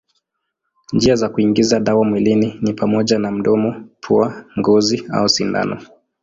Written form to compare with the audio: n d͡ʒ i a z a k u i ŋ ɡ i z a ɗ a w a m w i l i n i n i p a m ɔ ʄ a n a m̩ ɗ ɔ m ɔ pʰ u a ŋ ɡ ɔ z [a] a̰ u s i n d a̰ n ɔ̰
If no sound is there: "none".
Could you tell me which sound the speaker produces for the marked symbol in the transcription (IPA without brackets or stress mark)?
i